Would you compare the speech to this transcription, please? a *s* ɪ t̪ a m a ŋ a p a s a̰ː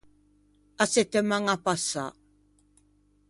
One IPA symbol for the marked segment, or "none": s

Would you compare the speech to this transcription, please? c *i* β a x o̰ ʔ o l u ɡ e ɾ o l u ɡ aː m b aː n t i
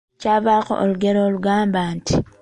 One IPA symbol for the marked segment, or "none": a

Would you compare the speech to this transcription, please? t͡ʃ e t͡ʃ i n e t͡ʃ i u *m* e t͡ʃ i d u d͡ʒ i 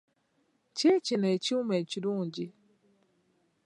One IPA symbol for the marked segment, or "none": m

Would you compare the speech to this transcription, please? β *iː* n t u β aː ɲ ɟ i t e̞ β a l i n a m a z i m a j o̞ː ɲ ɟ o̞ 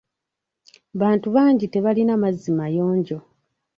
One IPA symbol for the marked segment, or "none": aː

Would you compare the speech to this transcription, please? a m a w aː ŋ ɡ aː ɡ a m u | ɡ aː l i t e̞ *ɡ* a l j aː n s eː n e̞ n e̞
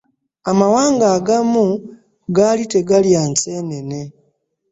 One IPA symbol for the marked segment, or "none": ɡ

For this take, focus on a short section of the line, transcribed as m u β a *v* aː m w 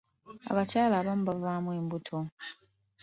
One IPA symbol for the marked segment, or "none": v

